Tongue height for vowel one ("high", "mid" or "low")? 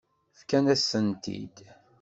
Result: low